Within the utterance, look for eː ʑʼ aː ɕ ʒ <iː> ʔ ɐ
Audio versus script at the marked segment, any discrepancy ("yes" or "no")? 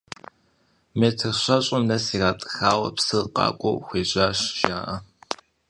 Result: yes